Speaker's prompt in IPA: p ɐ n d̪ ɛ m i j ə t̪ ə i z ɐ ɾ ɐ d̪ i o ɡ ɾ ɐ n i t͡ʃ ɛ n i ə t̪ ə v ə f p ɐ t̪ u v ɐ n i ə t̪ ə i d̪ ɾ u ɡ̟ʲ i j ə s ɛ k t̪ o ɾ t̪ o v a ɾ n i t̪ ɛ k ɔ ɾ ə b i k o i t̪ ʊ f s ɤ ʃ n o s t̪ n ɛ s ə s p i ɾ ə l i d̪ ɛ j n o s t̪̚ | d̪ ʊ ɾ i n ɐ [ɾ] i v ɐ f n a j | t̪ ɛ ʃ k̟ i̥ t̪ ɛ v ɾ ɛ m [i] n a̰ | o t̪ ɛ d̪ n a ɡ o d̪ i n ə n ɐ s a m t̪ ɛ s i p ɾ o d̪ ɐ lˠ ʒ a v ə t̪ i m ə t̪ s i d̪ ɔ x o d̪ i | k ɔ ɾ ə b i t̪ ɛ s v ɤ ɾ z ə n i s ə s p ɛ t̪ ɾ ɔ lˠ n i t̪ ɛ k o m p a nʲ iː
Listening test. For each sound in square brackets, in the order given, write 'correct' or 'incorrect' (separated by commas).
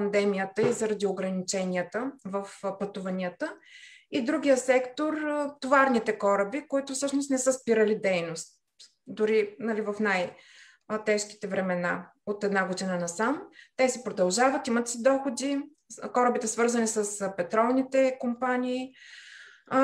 incorrect, incorrect